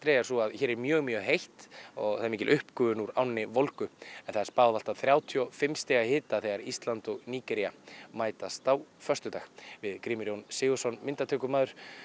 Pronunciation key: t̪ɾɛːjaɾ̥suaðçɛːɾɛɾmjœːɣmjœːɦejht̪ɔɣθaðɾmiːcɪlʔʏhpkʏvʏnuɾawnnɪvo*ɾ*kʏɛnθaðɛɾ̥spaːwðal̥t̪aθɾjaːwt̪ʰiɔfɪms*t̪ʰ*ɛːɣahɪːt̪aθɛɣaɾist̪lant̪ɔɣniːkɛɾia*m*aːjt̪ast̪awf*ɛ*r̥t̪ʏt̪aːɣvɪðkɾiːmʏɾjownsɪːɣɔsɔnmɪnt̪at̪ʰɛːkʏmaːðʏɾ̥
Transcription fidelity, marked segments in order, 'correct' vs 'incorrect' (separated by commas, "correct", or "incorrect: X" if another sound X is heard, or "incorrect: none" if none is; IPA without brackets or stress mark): incorrect: l, incorrect: t̪, correct, incorrect: œ